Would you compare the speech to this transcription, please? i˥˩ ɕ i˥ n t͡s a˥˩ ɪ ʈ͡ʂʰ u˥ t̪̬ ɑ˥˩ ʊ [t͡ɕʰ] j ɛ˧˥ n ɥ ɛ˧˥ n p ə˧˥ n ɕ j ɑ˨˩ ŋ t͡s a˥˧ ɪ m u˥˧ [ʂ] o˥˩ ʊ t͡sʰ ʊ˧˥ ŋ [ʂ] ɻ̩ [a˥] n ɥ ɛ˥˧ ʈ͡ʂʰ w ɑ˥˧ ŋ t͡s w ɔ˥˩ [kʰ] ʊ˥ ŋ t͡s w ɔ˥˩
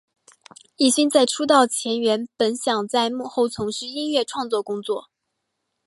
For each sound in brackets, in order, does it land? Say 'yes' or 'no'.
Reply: yes, no, yes, no, no

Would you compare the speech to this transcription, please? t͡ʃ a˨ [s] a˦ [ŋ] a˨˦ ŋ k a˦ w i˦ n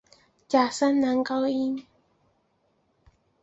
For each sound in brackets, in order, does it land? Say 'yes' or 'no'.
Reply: yes, no

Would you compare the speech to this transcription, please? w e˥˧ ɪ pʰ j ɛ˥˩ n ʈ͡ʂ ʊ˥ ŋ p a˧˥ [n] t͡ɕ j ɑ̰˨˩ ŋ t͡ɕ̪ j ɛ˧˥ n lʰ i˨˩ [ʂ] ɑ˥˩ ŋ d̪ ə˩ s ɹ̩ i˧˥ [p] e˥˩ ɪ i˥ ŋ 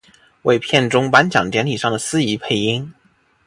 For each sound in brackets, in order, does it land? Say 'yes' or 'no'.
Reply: yes, yes, no

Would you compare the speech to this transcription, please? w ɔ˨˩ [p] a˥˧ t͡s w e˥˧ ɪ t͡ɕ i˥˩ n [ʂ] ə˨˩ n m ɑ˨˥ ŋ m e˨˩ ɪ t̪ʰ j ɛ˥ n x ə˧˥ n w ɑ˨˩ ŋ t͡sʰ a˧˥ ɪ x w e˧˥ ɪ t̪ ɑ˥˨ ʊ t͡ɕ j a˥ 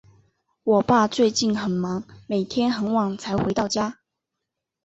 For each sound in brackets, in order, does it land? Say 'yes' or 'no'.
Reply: yes, no

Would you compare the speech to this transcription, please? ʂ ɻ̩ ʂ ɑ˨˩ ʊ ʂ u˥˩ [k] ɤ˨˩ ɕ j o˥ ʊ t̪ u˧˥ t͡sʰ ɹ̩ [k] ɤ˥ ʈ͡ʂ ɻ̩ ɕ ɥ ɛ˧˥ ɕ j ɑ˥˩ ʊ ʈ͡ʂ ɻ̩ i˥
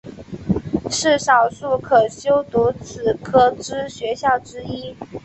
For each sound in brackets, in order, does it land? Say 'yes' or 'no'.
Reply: no, no

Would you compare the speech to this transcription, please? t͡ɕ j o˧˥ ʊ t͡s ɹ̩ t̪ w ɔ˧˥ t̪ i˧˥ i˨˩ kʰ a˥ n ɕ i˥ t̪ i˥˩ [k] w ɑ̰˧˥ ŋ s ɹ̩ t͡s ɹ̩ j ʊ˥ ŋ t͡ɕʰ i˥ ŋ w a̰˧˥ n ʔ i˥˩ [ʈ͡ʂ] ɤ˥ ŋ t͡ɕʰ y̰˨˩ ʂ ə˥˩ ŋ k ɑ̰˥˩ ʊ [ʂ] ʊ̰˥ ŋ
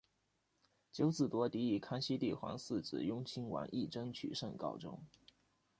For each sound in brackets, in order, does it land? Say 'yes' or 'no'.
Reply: no, yes, no

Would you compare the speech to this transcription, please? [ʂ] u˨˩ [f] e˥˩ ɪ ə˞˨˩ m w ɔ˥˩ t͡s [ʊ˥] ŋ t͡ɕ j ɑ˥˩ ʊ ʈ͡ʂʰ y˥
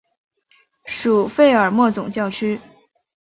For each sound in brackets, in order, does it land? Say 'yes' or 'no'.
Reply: yes, yes, no

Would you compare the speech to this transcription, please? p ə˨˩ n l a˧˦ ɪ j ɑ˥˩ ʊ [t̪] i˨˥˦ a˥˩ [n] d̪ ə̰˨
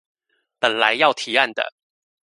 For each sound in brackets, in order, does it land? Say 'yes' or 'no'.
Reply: no, yes

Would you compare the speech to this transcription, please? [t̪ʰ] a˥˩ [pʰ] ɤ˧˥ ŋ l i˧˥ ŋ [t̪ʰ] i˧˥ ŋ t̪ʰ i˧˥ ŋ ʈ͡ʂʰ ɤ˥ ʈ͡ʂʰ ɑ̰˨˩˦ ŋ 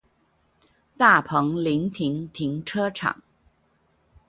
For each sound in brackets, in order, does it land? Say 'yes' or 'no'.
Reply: no, yes, yes

